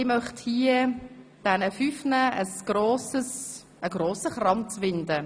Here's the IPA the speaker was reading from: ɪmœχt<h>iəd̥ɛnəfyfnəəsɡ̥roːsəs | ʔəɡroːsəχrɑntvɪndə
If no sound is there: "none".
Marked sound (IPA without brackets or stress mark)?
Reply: h